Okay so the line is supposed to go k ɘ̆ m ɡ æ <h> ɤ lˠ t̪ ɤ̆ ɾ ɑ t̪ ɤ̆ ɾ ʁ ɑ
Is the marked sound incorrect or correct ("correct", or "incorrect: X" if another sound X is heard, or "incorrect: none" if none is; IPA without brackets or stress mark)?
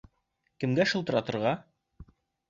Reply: incorrect: ʃ